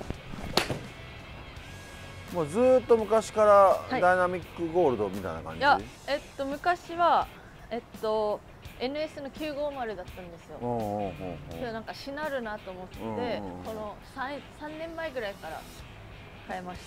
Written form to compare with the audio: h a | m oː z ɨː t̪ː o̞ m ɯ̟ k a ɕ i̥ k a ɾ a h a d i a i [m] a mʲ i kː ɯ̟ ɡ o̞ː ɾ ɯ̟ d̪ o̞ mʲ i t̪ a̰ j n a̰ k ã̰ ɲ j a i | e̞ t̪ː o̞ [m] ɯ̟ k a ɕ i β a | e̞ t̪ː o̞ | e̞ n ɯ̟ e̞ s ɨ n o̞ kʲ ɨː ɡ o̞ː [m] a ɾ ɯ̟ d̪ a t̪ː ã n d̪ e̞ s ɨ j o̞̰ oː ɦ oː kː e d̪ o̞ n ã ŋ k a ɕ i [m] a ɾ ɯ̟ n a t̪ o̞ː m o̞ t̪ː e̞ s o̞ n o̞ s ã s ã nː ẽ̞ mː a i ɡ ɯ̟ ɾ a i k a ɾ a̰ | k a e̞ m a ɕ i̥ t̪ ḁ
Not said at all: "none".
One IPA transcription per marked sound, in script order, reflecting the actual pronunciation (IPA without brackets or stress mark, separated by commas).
n, m, m, n